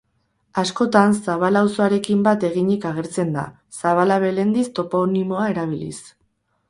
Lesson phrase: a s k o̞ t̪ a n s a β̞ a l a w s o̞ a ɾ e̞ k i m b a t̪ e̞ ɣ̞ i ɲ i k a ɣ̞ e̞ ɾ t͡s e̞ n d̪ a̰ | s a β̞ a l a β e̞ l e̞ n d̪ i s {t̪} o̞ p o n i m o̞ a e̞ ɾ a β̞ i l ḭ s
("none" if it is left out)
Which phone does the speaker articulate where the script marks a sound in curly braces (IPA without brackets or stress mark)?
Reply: t̪